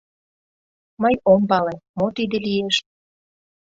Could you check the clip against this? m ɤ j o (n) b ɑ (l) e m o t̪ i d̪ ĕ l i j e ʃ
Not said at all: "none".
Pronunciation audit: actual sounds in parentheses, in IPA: m, l

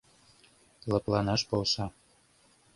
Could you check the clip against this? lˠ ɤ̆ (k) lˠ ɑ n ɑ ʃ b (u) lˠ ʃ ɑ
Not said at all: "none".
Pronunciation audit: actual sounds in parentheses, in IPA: p, o

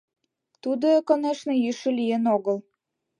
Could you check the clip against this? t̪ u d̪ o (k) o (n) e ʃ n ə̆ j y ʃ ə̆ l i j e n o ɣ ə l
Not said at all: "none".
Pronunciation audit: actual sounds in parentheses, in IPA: k, n

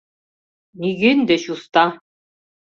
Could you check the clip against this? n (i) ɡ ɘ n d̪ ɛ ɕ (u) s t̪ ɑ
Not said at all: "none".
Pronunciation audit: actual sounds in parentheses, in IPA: i, u

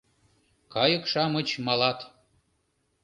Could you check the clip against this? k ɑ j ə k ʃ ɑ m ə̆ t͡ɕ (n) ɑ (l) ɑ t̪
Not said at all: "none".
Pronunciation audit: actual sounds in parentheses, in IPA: m, l

